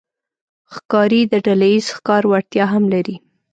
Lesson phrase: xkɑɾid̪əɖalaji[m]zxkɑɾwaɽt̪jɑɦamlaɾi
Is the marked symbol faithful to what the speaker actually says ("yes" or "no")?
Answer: no